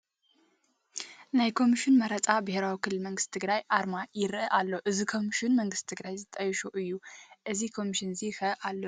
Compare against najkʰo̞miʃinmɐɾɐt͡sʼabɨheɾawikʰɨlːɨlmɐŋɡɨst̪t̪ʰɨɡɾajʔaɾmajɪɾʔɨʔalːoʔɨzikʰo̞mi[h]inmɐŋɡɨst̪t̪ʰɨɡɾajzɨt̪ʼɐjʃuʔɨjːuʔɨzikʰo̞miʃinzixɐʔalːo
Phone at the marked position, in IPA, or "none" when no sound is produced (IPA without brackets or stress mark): ʃ